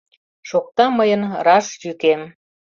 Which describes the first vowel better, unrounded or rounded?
rounded